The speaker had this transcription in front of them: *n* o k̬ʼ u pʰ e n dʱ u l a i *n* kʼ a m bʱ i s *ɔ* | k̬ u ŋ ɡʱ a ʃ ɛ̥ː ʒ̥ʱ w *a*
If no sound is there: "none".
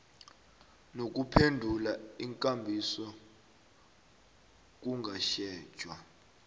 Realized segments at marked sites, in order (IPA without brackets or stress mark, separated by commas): n, ŋ, ɔ, a